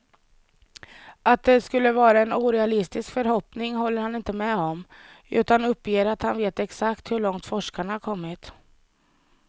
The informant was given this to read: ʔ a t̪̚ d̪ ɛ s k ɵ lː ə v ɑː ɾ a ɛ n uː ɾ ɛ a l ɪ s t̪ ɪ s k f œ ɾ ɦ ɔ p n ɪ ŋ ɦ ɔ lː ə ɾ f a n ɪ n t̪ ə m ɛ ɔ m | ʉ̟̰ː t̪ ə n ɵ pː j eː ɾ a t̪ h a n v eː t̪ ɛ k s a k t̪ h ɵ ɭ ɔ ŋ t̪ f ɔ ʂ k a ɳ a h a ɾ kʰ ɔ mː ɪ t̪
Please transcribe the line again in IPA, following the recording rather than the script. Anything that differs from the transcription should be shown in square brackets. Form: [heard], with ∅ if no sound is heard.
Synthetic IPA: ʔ a t̪̚ d̪ ɛ s k ɵ lː ə v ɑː ɾ a ɛ n uː ɾ ɛ a l ɪ s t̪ ɪ s k f œ ɾ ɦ ɔ p n ɪ ŋ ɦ ɔ lː ə ɾ [h] a n ɪ n t̪ ə m ɛ ɔ m | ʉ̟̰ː t̪ [a] n ɵ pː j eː ɾ a t̪ h a n v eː t̪ ɛ k s a k t̪ h ɵ ɭ ɔ ŋ t̪ f ɔ ʂ k a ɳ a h a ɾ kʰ ɔ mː ɪ t̪